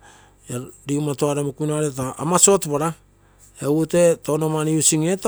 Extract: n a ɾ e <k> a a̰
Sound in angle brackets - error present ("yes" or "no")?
yes